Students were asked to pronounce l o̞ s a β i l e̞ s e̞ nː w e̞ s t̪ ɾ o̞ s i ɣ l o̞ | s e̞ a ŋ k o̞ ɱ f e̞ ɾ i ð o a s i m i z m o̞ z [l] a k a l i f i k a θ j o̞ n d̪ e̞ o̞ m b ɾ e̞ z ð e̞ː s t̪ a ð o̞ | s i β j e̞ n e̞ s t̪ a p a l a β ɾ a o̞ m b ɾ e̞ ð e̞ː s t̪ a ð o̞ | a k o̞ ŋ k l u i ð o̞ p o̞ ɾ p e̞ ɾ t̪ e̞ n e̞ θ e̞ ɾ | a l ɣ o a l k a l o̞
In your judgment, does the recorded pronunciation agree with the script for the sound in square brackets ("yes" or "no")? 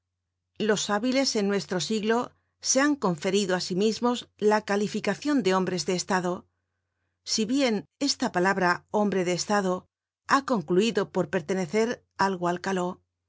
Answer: yes